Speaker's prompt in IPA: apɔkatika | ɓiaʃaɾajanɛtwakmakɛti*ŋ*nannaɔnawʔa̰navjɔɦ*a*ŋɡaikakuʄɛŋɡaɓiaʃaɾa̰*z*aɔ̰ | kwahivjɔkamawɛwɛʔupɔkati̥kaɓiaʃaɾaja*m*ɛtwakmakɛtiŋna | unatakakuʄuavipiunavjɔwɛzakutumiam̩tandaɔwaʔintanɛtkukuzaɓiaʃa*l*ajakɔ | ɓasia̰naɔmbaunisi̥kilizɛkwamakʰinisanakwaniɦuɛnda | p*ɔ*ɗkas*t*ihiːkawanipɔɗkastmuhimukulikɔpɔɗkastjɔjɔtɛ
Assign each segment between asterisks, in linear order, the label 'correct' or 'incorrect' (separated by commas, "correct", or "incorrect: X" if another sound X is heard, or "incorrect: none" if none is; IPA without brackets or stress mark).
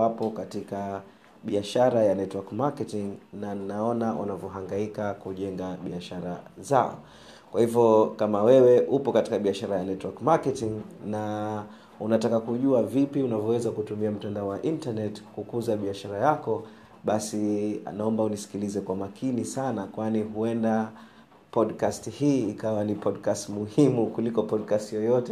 correct, correct, correct, incorrect: n, incorrect: ɾ, correct, correct